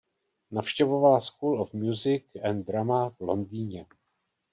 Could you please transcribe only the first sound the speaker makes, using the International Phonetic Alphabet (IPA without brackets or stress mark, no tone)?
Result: n